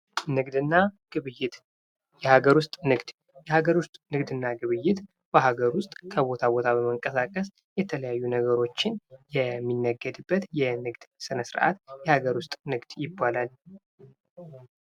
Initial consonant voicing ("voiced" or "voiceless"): voiced